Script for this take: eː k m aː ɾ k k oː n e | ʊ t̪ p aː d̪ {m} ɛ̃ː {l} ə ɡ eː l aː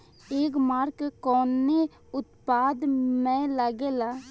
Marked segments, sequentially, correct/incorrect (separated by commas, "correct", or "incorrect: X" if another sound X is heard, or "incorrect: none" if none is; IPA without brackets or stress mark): correct, correct